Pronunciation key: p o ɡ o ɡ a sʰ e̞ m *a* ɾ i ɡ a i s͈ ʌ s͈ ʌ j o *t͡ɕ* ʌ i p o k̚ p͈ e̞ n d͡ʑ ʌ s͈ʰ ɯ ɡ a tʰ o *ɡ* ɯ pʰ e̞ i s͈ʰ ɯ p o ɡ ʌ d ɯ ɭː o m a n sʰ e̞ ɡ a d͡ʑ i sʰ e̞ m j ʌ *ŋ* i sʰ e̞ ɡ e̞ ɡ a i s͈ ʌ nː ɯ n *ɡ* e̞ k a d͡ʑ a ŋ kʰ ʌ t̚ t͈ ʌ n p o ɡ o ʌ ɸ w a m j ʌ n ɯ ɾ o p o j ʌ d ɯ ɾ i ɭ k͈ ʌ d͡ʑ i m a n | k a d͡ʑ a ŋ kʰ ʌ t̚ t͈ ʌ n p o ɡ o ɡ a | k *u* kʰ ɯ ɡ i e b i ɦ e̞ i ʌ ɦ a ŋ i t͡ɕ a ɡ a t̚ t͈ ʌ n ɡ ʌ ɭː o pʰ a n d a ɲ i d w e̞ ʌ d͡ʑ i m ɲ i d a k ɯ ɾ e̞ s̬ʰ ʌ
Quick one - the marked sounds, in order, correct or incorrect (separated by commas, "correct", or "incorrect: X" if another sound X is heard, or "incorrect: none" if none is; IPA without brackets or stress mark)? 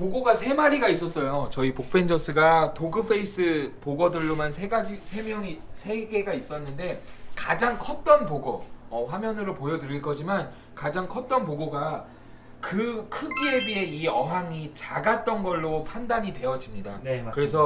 correct, correct, correct, correct, incorrect: d, incorrect: ɯ